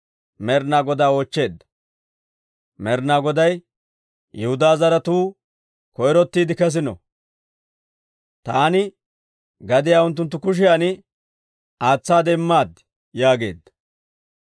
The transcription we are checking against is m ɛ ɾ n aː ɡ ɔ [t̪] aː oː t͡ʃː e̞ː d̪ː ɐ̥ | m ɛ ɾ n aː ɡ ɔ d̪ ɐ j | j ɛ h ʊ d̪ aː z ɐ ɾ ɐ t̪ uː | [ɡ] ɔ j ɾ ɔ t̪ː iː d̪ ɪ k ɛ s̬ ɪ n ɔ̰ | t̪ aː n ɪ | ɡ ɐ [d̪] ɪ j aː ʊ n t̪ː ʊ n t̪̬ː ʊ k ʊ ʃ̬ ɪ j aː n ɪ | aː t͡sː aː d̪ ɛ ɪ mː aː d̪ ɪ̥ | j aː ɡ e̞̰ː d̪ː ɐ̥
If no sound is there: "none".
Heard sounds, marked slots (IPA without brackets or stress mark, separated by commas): d̪, k, d̪